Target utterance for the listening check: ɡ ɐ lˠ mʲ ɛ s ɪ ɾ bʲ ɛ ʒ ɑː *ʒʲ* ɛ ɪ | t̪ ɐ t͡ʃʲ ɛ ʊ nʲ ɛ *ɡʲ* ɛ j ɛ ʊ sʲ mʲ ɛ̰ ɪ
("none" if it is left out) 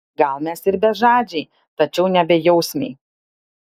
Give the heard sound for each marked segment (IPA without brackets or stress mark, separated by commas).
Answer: d͡ʒʲ, bʲ